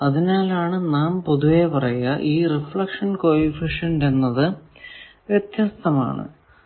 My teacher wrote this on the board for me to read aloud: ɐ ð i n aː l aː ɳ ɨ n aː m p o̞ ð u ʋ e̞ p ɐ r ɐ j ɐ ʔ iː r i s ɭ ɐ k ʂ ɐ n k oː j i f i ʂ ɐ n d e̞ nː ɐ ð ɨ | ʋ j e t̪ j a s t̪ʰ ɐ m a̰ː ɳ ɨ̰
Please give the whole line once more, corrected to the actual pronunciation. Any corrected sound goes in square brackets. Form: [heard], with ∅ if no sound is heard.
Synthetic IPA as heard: ɐ ð i n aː l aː ɳ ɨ n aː m p o̞ ð u ʋ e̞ p ɐ r ɐ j ɐ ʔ iː r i [f] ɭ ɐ k ʂ ɐ n k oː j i f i ʂ ɐ n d e̞ nː ɐ ð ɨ | ʋ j e t̪ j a s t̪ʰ ɐ m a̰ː ɳ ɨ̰

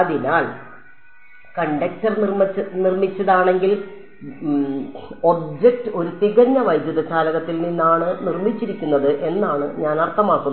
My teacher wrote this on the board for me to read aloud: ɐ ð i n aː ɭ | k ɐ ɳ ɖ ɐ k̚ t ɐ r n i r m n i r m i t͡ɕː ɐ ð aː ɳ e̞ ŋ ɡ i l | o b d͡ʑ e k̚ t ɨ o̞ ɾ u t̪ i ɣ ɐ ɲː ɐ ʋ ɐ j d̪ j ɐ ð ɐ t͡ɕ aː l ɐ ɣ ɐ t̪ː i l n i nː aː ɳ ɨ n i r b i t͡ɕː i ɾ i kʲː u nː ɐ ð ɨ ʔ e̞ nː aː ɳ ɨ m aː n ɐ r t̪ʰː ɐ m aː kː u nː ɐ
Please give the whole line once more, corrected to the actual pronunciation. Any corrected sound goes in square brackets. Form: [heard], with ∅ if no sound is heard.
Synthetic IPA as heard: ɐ ð i n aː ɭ | k ɐ ɳ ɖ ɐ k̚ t ɐ r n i r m n i r m i t͡ɕː ɐ ð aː ɳ e̞ ŋ ɡ i l | o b d͡ʑ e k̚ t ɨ o̞ ɾ u t̪ i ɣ ɐ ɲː ɐ ʋ ɐ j d̪ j ɐ ð ɐ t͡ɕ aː l ɐ ɣ ɐ t̪ː i l n i nː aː ɳ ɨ n i r [m] i t͡ɕː i ɾ i kʲː u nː ɐ ð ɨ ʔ e̞ nː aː ɳ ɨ [ɲ] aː n ɐ r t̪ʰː ɐ m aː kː u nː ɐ

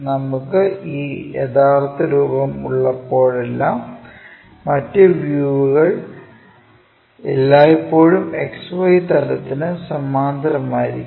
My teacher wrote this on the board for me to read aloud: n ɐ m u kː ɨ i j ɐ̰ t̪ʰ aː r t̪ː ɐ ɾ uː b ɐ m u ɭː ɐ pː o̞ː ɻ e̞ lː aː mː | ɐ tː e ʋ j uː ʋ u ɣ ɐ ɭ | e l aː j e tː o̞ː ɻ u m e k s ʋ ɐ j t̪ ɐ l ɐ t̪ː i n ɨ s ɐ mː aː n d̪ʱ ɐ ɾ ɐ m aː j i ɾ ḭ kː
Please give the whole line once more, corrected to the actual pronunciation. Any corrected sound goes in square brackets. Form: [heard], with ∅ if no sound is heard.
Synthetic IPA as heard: n ɐ m u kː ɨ [iː] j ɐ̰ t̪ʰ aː r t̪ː ɐ ɾ uː b ɐ m u ɭː ɐ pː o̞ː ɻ e̞ lː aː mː | ɐ tː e ʋ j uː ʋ u ɣ ɐ ɭ | e [lː] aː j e [pː] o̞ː ɻ u m e k s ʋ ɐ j t̪ ɐ l ɐ t̪ː i n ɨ s ɐ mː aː n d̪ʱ ɐ ɾ ɐ m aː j i ɾ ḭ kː

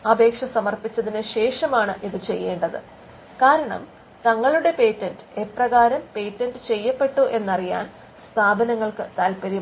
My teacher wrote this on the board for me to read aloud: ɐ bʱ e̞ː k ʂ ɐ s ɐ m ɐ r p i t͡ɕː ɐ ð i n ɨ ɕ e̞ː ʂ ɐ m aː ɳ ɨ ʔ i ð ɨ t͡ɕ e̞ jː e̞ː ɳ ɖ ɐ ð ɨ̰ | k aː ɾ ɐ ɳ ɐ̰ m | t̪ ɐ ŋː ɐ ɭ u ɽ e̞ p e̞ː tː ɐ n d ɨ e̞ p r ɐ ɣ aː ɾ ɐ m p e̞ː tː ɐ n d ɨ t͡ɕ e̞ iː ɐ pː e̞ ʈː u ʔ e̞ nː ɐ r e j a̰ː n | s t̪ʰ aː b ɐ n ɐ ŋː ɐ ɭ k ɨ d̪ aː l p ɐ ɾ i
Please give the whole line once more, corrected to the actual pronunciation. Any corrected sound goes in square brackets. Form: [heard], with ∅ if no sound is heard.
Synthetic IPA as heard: ɐ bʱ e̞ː k ʂ ɐ s ɐ m ɐ r p i t͡ɕː ɐ ð i n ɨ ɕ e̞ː ʂ ɐ m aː ɳ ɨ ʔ i ð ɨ t͡ɕ e̞ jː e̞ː ɳ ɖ ɐ ð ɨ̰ | k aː ɾ ɐ ɳ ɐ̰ m | t̪ ɐ ŋː ɐ ɭ u ɽ e̞ p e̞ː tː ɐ n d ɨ e̞ p r ɐ ɣ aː ɾ ɐ m p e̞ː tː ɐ n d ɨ t͡ɕ e̞ [jː] ɐ pː e̞ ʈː u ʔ e̞ nː ɐ r [i] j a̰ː n | s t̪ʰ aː b ɐ n ɐ ŋː ɐ ɭ k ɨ [t̪] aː l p ɐ ɾ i

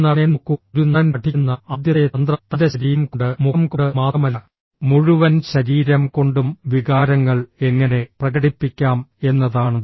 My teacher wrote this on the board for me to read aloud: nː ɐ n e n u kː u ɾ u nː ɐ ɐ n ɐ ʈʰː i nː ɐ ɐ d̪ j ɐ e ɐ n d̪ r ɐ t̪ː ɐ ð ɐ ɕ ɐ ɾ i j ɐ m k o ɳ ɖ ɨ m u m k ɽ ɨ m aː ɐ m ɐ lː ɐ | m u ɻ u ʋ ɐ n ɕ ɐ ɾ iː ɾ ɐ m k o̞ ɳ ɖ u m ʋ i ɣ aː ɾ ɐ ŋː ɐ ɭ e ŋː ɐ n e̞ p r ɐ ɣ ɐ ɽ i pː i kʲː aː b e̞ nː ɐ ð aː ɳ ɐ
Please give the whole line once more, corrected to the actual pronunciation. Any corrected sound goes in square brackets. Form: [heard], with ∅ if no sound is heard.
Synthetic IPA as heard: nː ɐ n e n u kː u ɾ u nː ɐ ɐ n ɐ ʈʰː i nː ɐ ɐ d̪ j ɐ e ɐ n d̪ r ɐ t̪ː ɐ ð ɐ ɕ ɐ ɾ i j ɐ m k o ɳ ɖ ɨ m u m k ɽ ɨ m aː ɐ m ɐ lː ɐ | m u ɻ u ʋ ɐ n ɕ ɐ ɾ iː ɾ ɐ m k o̞ ɳ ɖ u m ʋ i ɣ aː ɾ ɐ ŋː ɐ ɭ e ŋː ɐ n e̞ p r ɐ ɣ ɐ ɽ i pː i kʲː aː [m] e̞ nː ɐ ð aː ɳ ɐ

